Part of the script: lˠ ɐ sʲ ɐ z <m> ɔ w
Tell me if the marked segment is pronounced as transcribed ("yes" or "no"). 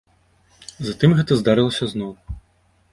no